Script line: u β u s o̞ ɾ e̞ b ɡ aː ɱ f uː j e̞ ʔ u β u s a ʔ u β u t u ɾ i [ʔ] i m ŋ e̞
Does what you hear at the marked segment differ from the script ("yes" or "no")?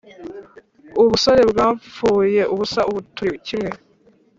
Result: yes